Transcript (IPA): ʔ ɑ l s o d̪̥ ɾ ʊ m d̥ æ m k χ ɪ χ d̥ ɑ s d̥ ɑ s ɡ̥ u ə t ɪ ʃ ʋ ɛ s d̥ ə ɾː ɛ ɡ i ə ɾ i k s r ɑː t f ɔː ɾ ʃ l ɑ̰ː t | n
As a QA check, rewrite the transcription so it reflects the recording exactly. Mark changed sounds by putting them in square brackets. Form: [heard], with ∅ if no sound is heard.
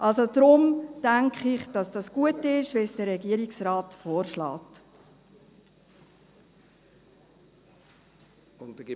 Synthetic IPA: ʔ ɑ l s o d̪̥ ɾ ʊ m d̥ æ [ŋ] k χ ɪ χ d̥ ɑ s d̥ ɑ s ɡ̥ u ə t ɪ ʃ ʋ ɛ s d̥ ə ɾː ɛ ɡ i ə ɾ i k s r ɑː t f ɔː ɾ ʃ l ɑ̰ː t | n

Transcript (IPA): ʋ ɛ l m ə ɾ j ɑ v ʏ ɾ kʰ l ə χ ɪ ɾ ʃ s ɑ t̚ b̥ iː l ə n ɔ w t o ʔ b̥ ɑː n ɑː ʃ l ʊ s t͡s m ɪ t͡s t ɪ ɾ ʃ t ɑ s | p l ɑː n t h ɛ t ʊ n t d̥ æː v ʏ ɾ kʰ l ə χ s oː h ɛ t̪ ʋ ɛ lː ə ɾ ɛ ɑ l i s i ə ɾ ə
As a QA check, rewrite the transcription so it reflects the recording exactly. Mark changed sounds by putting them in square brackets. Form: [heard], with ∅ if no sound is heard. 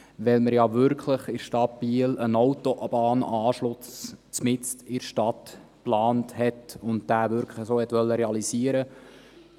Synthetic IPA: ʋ ɛ l m ə ɾ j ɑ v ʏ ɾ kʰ l ə χ ɪ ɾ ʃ [t] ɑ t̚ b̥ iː l ə n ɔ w t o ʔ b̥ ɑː n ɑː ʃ l ʊ s t͡s m ɪ t͡s t ɪ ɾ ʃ t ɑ [t] | p l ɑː n t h ɛ t ʊ n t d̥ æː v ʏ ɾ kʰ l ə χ s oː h ɛ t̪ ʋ [œ] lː ə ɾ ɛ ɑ l i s i ə ɾ ə

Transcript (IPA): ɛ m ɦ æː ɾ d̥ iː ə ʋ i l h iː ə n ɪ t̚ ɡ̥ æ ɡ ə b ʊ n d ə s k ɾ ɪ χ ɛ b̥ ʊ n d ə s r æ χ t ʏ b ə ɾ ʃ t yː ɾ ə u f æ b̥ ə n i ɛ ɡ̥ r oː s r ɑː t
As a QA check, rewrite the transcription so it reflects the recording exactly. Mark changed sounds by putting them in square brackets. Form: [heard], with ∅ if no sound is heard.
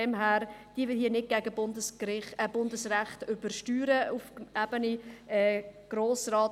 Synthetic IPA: ɛ m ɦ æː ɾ d̥ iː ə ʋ [ɪ] l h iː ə n ɪ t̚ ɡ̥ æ ɡ ə b ʊ n d ə s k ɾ ɪ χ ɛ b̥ ʊ n d ə s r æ χ t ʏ b ə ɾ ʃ t yː ɾ ə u f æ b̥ ə n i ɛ ɡ̥ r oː s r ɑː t

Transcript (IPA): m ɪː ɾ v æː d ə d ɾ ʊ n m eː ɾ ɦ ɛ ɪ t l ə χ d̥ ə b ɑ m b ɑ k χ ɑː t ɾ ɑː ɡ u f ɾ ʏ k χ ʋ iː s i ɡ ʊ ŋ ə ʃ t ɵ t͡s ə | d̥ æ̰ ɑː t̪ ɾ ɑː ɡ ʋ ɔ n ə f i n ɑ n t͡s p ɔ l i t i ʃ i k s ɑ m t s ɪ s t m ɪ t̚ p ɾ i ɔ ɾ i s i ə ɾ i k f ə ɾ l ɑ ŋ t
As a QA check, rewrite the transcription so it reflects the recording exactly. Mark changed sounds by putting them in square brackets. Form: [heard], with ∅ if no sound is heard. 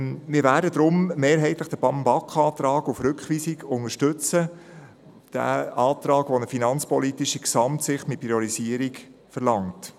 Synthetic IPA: m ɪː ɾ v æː d ə d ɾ ʊ [m] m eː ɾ ɦ ɛ ɪ t l ə χ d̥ ə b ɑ m b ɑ k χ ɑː t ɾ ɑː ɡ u f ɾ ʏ k χ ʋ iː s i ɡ ʊ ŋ ə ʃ t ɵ t͡s ə | d̥ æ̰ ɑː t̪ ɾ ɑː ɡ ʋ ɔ n ə f i n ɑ n t͡s p ɔ l i t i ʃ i k s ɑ m t s ɪ [χ] t m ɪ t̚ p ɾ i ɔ ɾ i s i ə ɾ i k f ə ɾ l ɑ ŋ t

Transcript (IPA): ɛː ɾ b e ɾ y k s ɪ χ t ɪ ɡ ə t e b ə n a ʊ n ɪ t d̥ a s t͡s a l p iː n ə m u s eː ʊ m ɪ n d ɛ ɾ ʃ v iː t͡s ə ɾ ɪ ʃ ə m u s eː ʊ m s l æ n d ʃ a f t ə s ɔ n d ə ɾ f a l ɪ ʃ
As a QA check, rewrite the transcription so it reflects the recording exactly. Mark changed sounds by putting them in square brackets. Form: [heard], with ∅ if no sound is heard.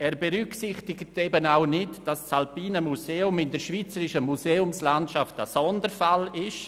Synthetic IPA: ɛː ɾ b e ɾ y k s ɪ χ t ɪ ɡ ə t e b ə n a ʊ n ɪ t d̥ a s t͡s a l p iː n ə m u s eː ʊ m ɪ n d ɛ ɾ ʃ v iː t͡s ə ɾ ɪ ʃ ə m u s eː ʊ m s l [a] n [t] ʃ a f t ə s ɔ n d ə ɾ f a l ɪ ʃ

